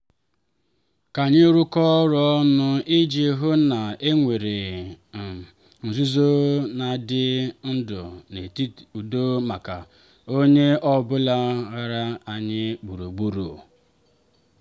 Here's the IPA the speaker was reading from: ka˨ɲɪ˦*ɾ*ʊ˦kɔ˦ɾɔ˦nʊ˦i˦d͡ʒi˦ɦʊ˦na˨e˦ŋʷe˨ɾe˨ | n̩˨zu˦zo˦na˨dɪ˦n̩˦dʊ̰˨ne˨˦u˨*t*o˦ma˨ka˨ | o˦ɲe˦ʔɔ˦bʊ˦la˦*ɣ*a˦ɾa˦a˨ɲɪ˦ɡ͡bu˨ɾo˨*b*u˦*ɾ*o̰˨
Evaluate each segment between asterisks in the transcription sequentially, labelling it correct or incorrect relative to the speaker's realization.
correct, incorrect: d, correct, incorrect: ɡ͡b, correct

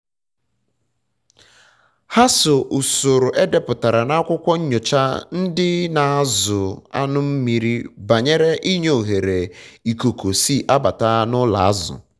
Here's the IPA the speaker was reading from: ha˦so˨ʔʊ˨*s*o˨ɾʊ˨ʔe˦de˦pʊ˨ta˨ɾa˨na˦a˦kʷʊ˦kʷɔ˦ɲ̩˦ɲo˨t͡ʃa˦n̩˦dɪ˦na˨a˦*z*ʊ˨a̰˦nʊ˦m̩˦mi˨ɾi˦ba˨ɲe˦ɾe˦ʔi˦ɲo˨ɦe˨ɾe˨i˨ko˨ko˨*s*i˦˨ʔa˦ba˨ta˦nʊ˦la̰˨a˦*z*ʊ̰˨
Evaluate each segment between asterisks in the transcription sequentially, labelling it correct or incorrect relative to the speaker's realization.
correct, correct, correct, correct

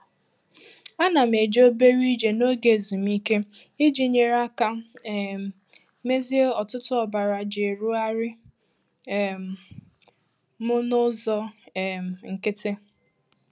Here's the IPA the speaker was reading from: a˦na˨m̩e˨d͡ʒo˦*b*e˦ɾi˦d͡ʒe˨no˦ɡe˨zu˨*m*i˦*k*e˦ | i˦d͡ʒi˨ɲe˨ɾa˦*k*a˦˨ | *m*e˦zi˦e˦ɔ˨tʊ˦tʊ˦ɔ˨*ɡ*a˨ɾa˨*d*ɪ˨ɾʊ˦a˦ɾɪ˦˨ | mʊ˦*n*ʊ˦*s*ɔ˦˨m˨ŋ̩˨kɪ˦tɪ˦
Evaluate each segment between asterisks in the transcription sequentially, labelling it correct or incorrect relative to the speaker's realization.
correct, correct, correct, correct, correct, incorrect: b, incorrect: d͡ʒ, correct, incorrect: z

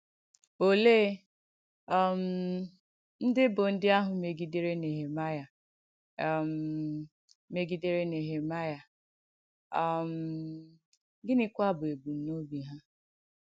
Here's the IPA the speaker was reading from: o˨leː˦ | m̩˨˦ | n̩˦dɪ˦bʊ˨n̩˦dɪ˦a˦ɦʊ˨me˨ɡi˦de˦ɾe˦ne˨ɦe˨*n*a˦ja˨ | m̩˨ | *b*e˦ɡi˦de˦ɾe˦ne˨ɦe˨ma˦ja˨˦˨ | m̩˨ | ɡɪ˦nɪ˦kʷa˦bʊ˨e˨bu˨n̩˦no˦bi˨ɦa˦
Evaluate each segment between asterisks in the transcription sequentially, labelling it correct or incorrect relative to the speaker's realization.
incorrect: m, incorrect: m

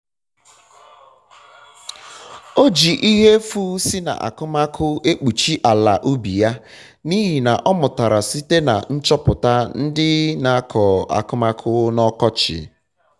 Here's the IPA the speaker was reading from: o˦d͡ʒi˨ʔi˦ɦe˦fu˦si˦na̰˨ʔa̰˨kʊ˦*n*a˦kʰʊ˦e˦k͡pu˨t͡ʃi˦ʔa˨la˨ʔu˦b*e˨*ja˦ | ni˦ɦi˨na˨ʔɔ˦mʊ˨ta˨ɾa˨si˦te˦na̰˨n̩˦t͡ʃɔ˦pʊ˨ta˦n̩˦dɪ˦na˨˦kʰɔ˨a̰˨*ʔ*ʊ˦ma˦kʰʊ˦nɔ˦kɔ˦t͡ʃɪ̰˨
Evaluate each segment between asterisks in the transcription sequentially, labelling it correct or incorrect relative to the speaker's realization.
incorrect: m, incorrect: i˨, incorrect: k

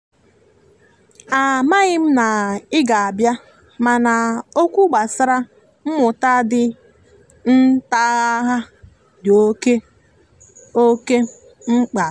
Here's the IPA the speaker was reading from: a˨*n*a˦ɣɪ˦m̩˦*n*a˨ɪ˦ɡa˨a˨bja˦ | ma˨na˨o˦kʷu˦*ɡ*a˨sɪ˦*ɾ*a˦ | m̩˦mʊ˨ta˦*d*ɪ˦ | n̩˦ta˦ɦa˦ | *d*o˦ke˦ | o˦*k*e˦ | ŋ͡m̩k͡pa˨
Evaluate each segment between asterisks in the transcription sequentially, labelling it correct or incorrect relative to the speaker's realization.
incorrect: m, correct, incorrect: ɡ͡b, correct, correct, correct, correct

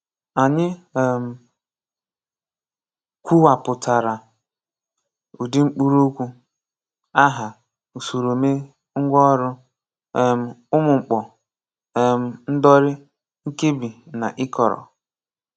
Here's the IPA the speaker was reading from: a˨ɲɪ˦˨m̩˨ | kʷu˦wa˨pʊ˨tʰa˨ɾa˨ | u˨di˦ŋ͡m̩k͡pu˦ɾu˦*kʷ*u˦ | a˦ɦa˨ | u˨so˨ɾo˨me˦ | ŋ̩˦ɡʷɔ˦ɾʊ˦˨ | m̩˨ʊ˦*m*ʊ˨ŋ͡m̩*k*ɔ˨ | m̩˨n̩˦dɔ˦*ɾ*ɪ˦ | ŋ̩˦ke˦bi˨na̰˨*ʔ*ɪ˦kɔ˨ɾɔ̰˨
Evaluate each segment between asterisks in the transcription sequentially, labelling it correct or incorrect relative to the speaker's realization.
correct, correct, incorrect: k͡p, correct, correct

